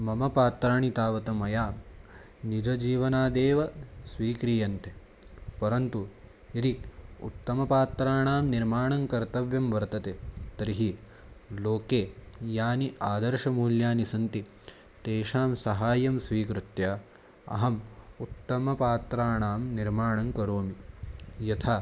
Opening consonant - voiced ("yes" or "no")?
yes